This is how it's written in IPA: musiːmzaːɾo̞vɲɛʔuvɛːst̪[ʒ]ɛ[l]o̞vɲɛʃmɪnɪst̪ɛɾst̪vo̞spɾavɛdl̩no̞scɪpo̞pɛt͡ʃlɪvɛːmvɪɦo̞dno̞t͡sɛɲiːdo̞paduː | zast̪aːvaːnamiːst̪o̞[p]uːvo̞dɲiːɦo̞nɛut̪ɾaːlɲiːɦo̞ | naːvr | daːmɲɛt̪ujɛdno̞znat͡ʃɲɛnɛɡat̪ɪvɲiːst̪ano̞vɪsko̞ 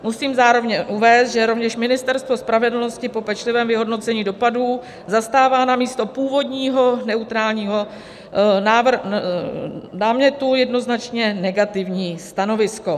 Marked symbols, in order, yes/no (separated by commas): yes, no, yes